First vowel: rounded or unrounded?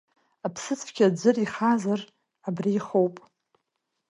unrounded